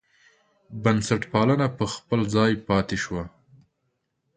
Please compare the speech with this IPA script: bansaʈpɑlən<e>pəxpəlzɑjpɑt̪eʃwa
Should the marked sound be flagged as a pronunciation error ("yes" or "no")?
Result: yes